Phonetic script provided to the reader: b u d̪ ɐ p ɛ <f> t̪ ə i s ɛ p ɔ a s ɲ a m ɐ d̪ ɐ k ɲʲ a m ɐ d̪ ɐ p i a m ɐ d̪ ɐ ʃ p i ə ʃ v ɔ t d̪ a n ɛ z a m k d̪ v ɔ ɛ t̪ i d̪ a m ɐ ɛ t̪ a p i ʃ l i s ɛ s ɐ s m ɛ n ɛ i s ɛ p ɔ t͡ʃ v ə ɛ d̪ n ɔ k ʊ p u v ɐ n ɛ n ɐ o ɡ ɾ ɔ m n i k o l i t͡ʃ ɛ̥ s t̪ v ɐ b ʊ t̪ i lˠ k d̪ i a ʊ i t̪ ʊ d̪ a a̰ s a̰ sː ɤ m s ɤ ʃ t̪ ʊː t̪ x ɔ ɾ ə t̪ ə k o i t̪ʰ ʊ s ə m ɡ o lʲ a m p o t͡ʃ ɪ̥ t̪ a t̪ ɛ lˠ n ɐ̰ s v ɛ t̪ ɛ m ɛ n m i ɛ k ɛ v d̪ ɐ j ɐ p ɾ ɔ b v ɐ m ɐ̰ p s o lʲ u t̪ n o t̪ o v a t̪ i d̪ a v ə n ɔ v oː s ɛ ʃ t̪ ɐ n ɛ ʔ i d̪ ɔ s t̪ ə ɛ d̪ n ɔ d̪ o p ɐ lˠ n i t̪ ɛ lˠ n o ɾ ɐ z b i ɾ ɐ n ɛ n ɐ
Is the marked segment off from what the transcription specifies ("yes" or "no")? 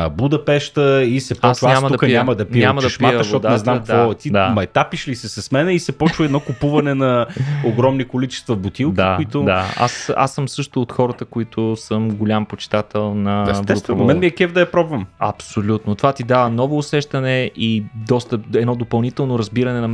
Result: yes